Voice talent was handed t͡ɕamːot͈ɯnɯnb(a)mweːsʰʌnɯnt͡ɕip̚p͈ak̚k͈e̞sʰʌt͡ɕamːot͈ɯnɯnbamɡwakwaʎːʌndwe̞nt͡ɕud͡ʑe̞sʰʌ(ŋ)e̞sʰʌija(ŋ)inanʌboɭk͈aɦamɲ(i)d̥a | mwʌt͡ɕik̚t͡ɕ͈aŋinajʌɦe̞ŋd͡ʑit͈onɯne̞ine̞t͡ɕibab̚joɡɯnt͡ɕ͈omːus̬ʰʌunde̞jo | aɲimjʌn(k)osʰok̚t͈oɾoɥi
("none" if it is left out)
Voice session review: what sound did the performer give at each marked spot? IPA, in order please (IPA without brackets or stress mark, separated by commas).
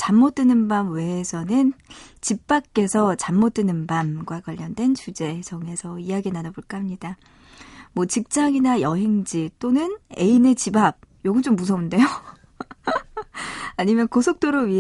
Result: a, ŋ, ɡ, i, k